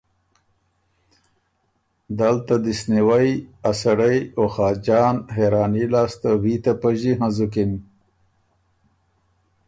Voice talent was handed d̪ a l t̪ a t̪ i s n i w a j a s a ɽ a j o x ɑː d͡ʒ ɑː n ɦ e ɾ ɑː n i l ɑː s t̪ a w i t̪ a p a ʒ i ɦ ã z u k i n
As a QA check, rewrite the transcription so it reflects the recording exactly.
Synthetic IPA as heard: d̪ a l t̪ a d̪ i s n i w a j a s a ɽ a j o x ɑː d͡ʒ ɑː n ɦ e ɾ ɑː n i l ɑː s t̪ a w i t̪ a p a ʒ i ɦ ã z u k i n